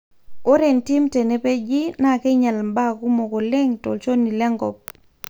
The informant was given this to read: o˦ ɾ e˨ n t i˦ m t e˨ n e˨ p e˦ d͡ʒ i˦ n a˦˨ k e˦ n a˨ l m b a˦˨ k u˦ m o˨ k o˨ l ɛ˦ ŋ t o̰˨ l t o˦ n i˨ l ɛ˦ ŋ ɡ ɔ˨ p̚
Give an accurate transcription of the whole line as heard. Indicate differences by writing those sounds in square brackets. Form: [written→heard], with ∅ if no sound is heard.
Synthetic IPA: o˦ ɾ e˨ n t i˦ m t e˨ n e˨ p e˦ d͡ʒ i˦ n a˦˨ k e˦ [n→ɲ] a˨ l m b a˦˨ k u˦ m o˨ k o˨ l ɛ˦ ŋ t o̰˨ l [t→t͡ʃ] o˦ n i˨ l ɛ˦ ŋ ɡ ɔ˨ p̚